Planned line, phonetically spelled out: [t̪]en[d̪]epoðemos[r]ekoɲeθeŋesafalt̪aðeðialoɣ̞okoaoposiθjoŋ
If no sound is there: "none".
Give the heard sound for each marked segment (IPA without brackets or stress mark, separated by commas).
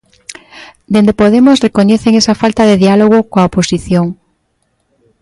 d̪, d̪, r